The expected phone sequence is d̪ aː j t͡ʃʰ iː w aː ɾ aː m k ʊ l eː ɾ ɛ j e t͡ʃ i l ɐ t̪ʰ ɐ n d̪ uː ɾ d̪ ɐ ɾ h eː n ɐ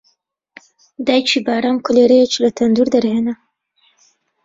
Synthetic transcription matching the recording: d̪ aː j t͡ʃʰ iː b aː ɾ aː m k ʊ l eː ɾ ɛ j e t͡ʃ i l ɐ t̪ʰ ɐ n d̪ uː ɾ d̪ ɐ ɾ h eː n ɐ